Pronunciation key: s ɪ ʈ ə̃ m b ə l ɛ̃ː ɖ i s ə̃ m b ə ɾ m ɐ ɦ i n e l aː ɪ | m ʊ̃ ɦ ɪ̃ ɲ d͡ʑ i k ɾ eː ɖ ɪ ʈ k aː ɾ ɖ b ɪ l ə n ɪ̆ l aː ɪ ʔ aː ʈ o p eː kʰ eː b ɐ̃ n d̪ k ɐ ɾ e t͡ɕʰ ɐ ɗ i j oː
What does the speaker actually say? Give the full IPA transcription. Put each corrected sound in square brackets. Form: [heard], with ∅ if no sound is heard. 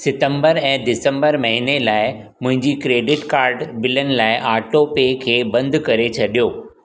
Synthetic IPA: s ɪ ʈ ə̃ m b ə [ɾ] ɛ̃ː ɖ [ɪ] s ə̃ m b ə ɾ m ɐ ɦ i n e l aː ɪ | m ʊ̃ ɦ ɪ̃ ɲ d͡ʑ i k ɾ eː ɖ ɪ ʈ k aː ɾ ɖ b ɪ l ə n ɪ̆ l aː ɪ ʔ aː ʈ o p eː kʰ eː b ɐ̃ n d̪ k ɐ ɾ e t͡ɕʰ ɐ ɗ i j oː